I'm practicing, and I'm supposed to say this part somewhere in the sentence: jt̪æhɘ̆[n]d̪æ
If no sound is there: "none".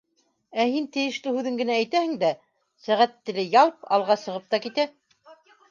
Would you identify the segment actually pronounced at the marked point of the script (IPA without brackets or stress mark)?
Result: ŋ